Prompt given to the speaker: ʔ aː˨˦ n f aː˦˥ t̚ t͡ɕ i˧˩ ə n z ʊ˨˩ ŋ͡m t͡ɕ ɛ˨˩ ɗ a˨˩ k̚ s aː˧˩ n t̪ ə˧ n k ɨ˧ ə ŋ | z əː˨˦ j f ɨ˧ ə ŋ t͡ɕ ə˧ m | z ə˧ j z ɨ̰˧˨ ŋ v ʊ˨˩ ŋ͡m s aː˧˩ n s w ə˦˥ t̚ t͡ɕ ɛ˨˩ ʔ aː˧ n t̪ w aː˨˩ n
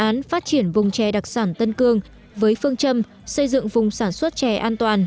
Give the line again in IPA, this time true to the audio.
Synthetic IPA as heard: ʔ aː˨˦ n f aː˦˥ t̚ t͡ɕ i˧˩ ə n v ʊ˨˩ ŋ͡m t͡ɕ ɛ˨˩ ɗ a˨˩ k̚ s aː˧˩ n t̪ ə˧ n k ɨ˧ ə ŋ | v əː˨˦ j f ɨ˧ ə ŋ t͡ɕ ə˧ m | s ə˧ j z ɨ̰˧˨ ŋ v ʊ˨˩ ŋ͡m s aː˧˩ n s w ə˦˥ t̚ t͡ɕ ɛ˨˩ ʔ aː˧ n t̪ w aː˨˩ n

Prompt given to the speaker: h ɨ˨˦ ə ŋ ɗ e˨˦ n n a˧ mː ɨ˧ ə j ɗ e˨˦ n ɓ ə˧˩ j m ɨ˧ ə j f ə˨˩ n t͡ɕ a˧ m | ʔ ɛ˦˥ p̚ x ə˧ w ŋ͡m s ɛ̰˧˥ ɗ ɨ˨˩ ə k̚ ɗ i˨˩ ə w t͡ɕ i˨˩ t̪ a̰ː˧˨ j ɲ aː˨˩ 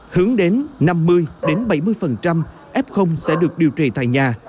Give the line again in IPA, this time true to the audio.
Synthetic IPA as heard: h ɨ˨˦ ə ŋ ɗ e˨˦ n n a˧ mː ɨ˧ ə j ɗ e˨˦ n ɓ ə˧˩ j m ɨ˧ ə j f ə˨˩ n t͡ɕ a˧ m | ʔ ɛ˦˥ p̚ x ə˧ w ŋ͡m s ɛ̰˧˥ ɗ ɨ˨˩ ə k̚ ɗ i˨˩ ə w t͡ɕ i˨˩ t̪ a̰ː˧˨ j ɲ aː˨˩

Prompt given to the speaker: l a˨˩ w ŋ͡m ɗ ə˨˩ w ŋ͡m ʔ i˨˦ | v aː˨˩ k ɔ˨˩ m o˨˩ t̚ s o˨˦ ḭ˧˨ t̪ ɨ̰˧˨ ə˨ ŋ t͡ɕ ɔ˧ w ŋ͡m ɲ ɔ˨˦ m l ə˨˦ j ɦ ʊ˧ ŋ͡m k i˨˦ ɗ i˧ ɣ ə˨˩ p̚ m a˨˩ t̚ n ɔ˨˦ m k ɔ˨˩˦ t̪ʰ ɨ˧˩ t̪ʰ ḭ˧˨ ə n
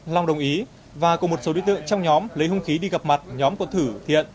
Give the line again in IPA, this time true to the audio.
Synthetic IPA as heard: l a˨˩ w ŋ͡m ɗ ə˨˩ w ŋ͡m ʔ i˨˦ | v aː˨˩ k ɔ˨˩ m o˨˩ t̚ s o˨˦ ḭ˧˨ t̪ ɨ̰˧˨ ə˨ ŋ t͡ɕ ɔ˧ w ŋ͡m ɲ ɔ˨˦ m l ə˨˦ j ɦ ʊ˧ ŋ͡m x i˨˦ ɗ i˧ ɣ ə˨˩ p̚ m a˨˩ t̚ ɲ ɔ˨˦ m k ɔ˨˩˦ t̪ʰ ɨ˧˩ t̪ʰ ḭ˧˨ ə n

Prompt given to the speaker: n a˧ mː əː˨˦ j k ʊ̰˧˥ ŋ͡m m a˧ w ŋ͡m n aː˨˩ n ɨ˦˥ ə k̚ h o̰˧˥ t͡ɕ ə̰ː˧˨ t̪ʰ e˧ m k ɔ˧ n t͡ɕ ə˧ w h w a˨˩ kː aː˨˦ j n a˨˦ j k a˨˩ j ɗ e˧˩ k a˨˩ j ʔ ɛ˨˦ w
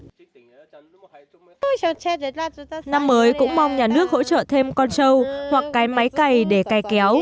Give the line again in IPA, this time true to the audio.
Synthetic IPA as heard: n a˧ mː əː˨˦ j k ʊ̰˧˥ ŋ͡m m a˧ w ŋ͡m ɲ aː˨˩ n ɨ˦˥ ə k̚ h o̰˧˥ t͡ɕ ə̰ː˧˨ t̪ʰ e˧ m k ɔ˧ n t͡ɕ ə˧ w h w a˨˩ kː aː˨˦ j m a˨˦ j k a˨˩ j ɗ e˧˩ k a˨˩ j k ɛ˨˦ w

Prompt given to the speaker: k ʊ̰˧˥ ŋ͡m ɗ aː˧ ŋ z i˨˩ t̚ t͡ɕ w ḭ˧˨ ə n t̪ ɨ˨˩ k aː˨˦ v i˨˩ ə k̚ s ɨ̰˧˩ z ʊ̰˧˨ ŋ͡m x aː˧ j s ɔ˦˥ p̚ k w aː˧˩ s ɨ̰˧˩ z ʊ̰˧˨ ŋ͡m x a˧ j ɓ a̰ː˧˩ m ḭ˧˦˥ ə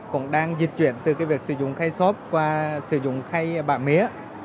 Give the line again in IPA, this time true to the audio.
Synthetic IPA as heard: k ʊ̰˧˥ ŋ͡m ɗ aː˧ ŋ z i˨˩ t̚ t͡ɕ w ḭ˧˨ ə n t̪ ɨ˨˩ k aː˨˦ v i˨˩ ə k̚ s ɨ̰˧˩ z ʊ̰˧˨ ŋ͡m x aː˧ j s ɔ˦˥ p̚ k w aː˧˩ s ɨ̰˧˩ z ʊ̰˧˨ ŋ͡m x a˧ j ɓ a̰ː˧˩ m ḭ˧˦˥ ə

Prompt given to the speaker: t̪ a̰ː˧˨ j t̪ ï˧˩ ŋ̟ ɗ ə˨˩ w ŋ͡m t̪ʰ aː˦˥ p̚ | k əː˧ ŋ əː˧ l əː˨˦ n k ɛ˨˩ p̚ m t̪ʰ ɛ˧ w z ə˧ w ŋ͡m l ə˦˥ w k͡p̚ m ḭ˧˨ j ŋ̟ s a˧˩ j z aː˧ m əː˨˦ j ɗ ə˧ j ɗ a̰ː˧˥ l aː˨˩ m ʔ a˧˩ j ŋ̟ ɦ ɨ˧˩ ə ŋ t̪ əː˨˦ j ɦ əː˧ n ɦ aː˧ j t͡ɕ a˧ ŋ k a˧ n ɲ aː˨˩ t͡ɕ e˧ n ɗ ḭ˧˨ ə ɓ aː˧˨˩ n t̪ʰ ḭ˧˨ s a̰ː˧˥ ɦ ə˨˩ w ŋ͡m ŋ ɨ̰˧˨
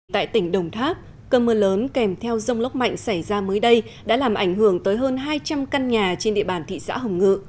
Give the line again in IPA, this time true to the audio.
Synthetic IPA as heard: t̪ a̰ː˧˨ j t̪ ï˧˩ ŋ̟ ɗ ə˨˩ w ŋ͡m t̪ʰ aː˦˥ p̚ | k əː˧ m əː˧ l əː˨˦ n k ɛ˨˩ m t̪ʰ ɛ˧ w z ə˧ w ŋ͡m l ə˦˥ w k͡p̚ m a̰˧˨ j ŋ̟ s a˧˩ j z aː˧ m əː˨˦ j ɗ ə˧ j ɗ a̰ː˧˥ l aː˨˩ m ʔ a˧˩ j ŋ̟ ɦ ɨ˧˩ ə ŋ t̪ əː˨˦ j ɦ əː˧ n ɦ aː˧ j t͡ɕ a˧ m k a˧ n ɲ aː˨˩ t͡ɕ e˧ n ɗ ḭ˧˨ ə ɓ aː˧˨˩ n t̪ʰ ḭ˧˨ s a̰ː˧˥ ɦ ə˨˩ w ŋ͡m ŋ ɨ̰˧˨

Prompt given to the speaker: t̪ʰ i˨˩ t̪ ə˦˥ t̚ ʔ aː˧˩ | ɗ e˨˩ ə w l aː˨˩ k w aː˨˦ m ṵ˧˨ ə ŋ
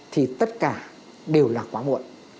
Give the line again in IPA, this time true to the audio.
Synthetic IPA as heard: t̪ʰ i˨˩ t̪ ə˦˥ t̚ k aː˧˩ | ɗ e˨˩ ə w l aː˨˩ k w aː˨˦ m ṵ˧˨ ə n

